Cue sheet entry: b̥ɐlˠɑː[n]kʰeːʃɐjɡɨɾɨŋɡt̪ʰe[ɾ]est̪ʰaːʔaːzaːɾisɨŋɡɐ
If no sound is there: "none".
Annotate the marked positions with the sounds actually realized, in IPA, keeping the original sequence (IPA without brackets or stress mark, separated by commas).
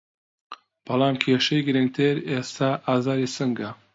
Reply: m, ɾ